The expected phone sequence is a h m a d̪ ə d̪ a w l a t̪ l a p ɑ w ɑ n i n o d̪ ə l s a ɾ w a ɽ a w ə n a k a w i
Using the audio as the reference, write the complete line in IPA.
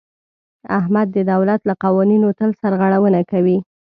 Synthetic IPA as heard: a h m a d̪ː ə d̪ a w l a t̪ l a q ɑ w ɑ n i n o t̪ ə l s a ɾ ɣ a ɽ a w ə n a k a w i